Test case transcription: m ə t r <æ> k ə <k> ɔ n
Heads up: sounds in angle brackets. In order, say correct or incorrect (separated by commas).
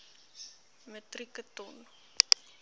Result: incorrect, incorrect